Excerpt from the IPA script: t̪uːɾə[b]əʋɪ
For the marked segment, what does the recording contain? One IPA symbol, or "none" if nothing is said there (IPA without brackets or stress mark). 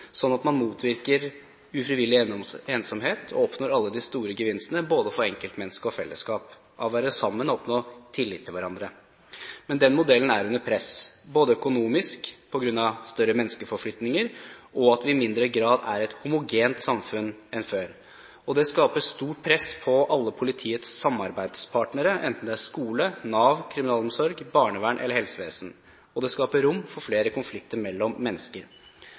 ɡ